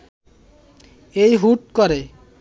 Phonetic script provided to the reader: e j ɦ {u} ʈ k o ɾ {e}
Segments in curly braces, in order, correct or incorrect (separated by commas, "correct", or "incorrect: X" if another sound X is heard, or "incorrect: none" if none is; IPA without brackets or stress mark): correct, correct